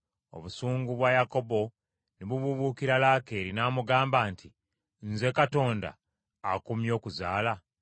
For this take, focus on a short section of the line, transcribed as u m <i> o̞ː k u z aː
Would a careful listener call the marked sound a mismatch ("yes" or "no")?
yes